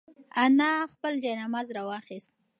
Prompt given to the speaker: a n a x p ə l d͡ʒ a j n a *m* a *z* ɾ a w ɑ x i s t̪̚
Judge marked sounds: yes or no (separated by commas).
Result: yes, yes